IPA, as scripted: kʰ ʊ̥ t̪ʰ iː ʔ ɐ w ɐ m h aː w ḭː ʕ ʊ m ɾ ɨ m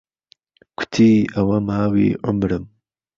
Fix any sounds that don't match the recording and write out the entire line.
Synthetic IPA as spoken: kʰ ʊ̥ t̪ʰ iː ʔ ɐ w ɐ m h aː w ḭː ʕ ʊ m ɾ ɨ m